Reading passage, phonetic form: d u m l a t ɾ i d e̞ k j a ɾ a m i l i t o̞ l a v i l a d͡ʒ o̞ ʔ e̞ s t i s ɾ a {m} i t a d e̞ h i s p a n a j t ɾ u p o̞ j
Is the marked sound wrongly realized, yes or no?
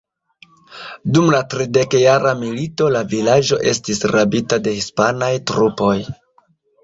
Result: yes